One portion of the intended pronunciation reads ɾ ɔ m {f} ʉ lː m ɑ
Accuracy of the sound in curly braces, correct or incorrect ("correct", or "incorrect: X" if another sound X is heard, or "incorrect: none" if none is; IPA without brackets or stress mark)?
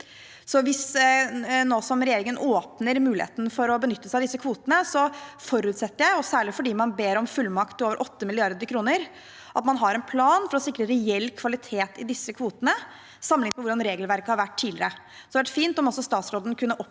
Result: correct